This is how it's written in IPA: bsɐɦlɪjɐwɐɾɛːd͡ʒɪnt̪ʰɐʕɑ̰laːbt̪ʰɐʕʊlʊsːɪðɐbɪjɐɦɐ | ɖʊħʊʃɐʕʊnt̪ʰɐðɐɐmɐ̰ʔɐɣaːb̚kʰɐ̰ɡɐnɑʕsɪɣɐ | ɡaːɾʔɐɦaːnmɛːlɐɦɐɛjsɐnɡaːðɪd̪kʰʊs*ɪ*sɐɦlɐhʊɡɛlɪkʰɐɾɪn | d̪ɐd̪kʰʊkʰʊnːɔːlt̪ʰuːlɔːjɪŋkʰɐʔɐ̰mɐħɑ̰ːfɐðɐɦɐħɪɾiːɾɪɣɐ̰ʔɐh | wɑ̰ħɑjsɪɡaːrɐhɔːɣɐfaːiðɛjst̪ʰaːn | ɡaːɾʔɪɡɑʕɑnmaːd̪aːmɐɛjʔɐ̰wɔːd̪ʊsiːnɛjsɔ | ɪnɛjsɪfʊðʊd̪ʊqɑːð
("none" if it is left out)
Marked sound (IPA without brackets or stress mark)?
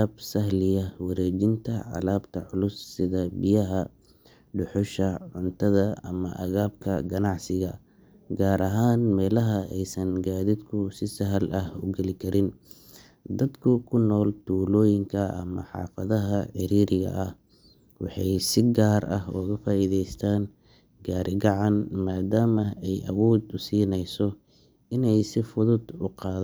ɪ